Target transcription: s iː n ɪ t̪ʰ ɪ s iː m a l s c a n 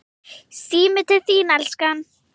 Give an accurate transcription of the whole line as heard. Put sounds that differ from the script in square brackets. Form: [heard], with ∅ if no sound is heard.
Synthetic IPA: s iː [m] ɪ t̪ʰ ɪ [θ] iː [n] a l s [k] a n